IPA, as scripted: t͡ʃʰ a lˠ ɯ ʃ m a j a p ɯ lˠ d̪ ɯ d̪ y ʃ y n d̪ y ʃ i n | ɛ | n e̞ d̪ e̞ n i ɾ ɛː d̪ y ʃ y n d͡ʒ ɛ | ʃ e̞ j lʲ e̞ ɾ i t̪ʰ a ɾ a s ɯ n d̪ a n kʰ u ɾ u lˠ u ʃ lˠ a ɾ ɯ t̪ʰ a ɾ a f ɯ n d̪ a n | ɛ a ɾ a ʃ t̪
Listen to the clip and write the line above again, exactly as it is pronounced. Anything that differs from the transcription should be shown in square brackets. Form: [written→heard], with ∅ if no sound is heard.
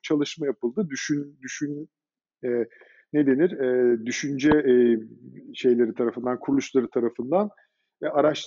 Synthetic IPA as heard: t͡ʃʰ a lˠ ɯ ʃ m a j a p ɯ lˠ d̪ ɯ d̪ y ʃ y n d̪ y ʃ [i→y] n | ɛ | n e̞ d̪ e̞ n i ɾ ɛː d̪ y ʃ y n d͡ʒ ɛ | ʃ e̞ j lʲ e̞ ɾ i t̪ʰ a ɾ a [s→f] ɯ n d̪ a n kʰ u ɾ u lˠ u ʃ lˠ a ɾ ɯ t̪ʰ a ɾ a f ɯ n d̪ a n | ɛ a ɾ a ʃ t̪